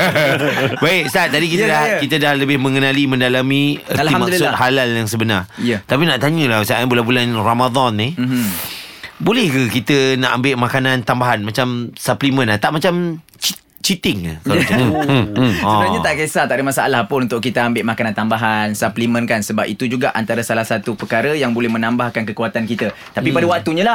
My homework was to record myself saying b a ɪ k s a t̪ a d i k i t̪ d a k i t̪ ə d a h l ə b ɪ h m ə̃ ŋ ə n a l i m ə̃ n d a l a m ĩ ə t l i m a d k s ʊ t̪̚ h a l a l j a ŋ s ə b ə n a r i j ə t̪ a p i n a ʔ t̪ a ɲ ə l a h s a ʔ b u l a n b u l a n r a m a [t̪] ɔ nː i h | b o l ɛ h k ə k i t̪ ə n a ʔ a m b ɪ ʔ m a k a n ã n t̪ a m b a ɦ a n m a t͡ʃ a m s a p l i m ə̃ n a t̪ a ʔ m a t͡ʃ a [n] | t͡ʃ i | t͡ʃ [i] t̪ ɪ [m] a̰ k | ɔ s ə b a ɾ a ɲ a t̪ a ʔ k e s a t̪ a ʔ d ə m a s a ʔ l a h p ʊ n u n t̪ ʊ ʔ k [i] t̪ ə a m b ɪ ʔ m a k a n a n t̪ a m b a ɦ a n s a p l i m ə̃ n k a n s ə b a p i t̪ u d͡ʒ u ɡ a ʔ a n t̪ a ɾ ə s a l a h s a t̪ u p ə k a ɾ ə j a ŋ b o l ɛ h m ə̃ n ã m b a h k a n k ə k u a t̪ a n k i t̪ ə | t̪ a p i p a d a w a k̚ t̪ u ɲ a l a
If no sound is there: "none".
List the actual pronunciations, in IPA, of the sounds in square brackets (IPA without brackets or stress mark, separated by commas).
d̪, m, i, ŋ, i